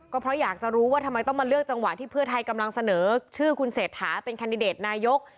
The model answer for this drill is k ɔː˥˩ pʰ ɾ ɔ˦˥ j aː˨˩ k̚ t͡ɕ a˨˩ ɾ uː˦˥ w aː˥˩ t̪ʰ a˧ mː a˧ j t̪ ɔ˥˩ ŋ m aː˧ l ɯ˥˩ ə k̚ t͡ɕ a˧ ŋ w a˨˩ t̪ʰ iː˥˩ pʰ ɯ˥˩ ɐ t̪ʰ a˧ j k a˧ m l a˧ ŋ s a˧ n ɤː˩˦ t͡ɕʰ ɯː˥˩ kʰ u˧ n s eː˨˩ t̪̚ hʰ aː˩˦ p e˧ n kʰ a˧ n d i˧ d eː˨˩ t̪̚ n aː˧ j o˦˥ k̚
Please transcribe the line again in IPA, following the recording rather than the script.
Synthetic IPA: k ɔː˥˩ pʰ ɾ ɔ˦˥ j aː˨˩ k̚ t͡ɕ a˨˩ ɾ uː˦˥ w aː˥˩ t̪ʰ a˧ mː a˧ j t̪ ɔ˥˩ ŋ m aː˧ l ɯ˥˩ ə k̚ t͡ɕ a˧ ŋ w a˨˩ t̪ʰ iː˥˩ pʰ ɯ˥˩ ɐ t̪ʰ a˧ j k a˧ m l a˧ ŋ s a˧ n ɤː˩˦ t͡ɕʰ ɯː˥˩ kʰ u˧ n s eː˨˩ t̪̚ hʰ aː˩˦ p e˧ n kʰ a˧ n d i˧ d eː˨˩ t̪̚ n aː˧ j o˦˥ k̚